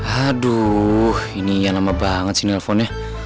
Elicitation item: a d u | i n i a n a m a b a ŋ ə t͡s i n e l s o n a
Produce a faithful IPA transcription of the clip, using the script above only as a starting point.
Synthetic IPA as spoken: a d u | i n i a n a m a b a ŋ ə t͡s i n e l f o n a